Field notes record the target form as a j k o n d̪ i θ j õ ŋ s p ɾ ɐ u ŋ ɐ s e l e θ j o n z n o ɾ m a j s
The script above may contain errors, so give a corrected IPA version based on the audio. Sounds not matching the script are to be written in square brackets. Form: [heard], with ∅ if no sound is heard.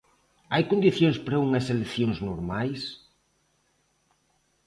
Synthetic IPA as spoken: a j k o n d̪ i θ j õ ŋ s p ɾ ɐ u ŋ ɐ s e l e θ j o [ŋ] z n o ɾ m a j s